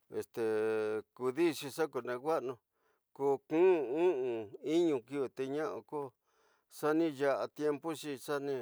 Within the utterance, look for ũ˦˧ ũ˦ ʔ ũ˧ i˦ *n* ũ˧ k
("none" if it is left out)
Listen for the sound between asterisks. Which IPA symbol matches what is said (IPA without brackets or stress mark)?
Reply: ɲ